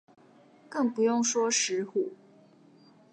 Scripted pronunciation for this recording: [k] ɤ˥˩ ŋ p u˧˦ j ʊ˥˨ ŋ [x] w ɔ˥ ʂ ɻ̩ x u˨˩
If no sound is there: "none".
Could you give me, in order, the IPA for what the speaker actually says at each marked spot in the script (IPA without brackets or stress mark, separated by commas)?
k, ʂ